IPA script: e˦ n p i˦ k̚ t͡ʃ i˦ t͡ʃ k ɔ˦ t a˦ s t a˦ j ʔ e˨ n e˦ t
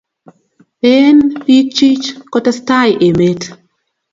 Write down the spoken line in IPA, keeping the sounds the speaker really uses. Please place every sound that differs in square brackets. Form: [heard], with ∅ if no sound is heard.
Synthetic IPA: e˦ n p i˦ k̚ t͡ʃ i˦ t͡ʃ k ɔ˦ t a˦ s t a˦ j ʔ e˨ [m] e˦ t